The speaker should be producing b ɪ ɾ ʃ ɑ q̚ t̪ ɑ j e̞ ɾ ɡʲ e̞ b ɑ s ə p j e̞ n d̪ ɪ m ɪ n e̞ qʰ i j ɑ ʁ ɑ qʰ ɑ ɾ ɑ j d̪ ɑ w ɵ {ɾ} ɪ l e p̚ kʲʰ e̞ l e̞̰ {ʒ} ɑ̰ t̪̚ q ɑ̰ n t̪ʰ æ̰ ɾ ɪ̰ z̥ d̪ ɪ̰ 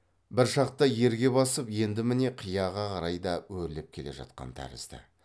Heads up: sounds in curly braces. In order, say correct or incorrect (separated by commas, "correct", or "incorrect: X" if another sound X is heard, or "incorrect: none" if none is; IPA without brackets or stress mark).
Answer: correct, correct